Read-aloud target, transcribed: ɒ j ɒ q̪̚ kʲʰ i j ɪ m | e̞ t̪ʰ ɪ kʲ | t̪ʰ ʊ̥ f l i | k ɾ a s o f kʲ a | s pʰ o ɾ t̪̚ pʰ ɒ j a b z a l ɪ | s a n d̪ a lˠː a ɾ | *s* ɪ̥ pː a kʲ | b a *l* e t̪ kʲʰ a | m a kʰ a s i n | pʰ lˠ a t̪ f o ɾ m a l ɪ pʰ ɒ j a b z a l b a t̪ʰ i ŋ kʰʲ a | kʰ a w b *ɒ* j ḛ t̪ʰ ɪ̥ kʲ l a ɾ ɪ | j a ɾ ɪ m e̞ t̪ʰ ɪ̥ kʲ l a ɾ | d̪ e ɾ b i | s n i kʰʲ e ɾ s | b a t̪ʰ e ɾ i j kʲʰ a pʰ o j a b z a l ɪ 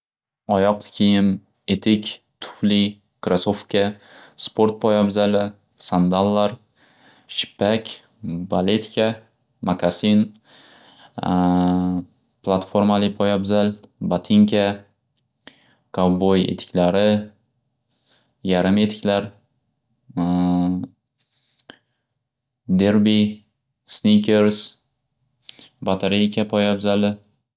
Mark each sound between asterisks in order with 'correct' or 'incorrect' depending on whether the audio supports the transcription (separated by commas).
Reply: incorrect, correct, incorrect